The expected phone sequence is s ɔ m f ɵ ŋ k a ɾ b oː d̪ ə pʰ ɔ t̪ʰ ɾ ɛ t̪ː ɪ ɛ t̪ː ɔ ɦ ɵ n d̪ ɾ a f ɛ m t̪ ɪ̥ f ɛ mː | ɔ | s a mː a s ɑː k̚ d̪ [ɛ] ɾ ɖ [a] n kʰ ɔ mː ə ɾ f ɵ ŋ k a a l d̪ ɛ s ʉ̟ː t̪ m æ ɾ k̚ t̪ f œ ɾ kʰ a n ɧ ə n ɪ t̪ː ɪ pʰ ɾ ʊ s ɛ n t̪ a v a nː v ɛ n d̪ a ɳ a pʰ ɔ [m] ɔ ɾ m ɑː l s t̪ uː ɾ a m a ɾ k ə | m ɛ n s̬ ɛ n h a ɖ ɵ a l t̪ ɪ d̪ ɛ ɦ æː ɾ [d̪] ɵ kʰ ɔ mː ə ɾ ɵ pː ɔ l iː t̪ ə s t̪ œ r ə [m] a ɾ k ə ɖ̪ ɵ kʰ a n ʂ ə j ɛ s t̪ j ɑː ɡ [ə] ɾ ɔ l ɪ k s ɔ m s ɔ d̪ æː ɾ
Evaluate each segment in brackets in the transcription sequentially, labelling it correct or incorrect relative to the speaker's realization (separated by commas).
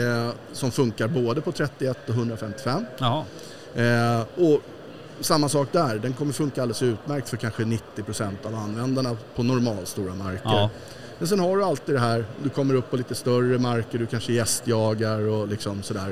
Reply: incorrect, incorrect, incorrect, correct, correct, incorrect